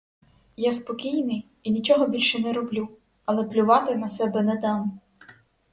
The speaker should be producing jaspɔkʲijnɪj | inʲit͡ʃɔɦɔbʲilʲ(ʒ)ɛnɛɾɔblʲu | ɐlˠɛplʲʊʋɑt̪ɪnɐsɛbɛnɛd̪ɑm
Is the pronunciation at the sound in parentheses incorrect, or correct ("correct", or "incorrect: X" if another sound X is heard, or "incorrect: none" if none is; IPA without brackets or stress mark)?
incorrect: ʃ